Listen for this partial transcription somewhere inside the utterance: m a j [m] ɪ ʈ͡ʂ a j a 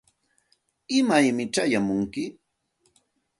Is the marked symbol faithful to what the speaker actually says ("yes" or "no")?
yes